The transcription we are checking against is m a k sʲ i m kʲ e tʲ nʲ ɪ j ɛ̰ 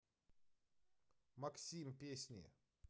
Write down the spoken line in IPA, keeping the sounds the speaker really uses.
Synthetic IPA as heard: m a k sʲ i m pʲ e sʲ nʲ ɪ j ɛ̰